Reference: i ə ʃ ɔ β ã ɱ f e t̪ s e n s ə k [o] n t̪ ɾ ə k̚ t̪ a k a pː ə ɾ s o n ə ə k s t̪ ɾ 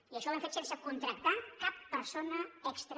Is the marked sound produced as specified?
no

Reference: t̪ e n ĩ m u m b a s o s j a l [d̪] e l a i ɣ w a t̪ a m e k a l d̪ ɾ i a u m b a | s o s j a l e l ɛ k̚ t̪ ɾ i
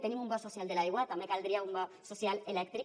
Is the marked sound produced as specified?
yes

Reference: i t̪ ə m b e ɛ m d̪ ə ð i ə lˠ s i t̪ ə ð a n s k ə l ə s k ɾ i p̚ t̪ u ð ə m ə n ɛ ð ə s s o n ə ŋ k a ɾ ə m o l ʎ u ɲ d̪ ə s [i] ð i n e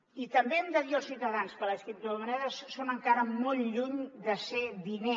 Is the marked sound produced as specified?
no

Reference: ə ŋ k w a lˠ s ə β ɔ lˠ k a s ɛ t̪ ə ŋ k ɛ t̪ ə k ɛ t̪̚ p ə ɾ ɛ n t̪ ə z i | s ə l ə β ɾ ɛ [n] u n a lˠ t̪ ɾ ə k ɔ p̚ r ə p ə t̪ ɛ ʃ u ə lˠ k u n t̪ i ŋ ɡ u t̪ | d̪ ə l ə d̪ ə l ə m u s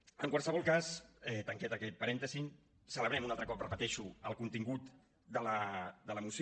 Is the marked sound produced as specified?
no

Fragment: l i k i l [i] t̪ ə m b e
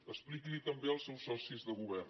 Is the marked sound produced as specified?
yes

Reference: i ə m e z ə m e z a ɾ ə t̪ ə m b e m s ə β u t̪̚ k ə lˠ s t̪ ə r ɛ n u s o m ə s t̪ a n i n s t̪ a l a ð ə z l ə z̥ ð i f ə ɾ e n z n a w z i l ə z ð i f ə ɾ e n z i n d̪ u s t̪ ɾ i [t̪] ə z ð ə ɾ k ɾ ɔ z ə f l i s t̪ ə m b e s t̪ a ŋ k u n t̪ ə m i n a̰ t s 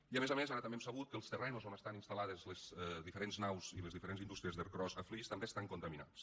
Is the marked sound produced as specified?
no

